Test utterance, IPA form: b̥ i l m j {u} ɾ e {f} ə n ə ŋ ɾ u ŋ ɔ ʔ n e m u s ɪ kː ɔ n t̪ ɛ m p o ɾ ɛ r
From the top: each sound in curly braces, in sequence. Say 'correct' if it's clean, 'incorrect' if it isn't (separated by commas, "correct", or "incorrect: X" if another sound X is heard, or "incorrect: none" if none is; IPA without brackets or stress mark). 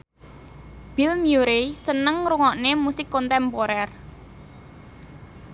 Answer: correct, incorrect: s